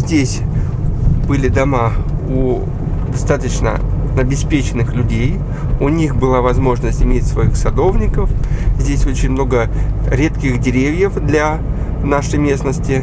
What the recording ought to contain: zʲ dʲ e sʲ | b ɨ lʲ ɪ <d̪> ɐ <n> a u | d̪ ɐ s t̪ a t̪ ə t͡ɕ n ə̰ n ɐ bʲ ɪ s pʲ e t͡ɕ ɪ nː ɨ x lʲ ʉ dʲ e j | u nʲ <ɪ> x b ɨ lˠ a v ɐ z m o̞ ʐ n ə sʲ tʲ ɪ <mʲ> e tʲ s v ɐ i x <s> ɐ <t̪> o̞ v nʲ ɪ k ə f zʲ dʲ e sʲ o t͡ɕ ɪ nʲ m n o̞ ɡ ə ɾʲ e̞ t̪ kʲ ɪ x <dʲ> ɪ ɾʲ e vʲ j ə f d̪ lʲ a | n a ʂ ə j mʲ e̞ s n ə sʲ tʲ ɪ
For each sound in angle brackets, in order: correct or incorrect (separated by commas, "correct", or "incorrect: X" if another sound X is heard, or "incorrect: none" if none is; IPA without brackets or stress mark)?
correct, incorrect: m, incorrect: i, correct, correct, incorrect: d̪, correct